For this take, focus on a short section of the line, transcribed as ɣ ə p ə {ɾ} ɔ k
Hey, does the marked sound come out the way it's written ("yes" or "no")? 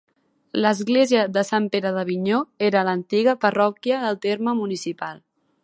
no